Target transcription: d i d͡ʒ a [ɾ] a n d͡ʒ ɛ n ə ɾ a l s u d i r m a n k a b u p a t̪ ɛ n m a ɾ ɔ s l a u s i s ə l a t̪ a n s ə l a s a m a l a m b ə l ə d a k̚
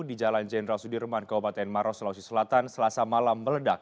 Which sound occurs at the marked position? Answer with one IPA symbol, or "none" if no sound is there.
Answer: l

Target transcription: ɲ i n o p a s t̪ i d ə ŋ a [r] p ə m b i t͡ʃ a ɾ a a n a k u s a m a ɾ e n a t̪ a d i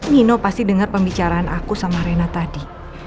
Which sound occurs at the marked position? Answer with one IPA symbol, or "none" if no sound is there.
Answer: r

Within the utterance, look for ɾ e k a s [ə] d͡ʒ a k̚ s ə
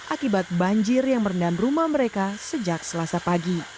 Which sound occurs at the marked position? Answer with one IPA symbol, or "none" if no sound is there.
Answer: ə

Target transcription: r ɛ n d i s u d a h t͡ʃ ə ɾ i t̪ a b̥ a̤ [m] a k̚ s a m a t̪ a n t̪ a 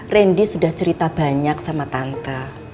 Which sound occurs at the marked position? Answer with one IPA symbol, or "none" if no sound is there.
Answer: ɲ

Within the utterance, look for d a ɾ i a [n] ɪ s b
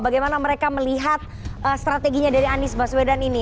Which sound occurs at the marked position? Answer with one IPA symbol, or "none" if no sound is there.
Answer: n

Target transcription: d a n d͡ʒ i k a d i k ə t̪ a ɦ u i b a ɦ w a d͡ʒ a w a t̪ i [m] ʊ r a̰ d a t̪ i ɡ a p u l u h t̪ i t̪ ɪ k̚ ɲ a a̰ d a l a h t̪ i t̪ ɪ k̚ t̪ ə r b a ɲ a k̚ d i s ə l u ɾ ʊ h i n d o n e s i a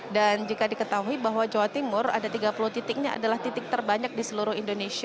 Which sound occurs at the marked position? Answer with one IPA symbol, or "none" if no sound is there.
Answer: m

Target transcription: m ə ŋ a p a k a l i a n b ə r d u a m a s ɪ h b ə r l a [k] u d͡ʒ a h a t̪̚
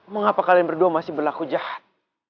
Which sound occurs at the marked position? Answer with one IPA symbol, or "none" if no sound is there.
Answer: k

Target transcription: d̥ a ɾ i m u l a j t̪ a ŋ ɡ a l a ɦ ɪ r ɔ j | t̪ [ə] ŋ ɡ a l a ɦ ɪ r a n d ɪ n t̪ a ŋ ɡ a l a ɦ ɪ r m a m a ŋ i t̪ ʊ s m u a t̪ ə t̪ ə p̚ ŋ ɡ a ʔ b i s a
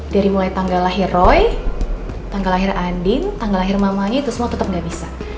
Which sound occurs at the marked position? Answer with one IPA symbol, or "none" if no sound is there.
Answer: a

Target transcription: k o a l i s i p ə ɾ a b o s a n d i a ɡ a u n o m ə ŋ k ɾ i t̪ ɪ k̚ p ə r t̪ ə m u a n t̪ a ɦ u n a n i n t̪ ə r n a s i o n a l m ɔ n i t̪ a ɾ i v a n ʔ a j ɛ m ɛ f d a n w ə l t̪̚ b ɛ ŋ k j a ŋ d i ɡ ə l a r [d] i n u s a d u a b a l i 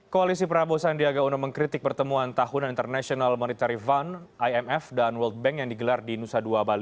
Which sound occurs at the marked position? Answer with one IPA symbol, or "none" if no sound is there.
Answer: d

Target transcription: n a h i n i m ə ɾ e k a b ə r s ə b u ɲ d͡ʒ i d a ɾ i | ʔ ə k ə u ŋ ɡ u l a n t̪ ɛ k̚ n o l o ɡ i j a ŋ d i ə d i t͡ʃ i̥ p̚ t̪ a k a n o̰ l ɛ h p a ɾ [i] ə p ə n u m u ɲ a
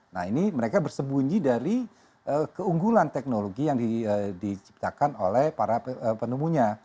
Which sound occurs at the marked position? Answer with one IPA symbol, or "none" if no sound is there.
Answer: a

